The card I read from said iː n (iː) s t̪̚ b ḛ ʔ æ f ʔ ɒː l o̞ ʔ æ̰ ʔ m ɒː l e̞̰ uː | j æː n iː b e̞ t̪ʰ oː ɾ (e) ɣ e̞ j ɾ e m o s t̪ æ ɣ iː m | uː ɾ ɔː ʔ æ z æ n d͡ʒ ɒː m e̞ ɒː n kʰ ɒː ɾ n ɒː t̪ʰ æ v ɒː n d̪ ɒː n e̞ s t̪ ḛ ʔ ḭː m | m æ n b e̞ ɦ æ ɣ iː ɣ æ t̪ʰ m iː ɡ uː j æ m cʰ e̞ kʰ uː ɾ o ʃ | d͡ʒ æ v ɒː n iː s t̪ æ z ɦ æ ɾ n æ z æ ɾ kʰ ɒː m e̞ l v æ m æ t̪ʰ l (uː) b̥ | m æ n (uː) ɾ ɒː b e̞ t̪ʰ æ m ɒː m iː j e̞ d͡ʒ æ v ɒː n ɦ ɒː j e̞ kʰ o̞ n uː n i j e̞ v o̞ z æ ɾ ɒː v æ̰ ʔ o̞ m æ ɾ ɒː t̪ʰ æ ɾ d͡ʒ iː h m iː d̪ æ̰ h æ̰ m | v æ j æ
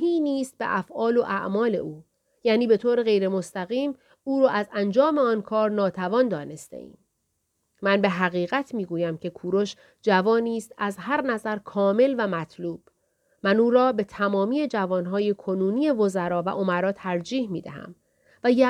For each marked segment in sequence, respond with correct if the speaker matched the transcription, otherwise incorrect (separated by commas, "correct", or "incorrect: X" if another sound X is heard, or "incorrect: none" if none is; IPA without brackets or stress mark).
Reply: correct, correct, correct, correct